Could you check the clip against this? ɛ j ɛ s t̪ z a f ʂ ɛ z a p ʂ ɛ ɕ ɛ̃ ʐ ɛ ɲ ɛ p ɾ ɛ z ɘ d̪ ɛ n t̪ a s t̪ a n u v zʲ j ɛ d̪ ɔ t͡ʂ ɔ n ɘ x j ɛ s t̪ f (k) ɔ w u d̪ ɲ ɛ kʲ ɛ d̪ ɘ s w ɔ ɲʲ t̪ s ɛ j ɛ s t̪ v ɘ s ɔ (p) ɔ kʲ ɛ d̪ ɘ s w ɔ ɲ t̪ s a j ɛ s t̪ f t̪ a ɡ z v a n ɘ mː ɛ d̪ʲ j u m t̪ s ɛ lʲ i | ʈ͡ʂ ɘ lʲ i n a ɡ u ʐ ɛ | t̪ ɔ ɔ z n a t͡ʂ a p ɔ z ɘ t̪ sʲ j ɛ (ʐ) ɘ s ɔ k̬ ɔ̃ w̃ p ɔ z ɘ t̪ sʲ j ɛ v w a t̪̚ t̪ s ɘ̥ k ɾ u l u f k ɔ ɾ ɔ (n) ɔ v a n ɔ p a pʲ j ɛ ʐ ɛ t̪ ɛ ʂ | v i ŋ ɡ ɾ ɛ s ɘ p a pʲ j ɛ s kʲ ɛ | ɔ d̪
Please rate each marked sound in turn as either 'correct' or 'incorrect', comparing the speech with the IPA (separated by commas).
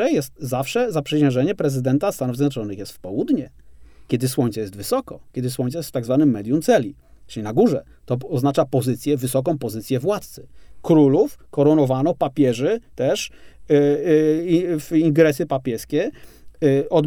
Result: incorrect, incorrect, incorrect, correct